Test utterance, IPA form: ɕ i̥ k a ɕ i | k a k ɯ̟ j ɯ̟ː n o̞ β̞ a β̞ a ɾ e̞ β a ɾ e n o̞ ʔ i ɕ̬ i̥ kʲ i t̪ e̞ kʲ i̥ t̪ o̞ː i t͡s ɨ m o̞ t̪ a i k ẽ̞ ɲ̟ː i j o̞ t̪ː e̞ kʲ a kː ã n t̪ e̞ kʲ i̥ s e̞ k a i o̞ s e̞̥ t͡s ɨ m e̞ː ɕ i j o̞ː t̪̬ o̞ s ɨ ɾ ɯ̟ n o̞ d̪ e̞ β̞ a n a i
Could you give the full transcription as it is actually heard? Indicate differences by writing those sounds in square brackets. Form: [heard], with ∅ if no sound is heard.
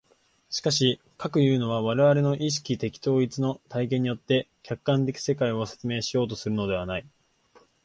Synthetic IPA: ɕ i̥ k a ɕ i | k a k ɯ̟ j ɯ̟ː n o̞ β̞ a β̞ a ɾ e̞ β a ɾ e n o̞ ʔ i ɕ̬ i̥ kʲ i t̪ e̞ kʲ i̥ t̪ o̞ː i t͡s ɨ [n] o̞ t̪ a i k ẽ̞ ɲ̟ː i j o̞ t̪ː e̞ kʲ a kː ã n t̪ e̞ kʲ i̥ s e̞ k a i o̞ s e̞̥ t͡s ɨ m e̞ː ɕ i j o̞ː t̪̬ o̞ s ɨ ɾ ɯ̟ n o̞ d̪ e̞ β̞ a n a i